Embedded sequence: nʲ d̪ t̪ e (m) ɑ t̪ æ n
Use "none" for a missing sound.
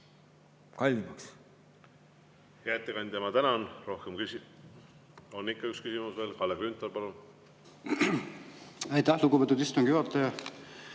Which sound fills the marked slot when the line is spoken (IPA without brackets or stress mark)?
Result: m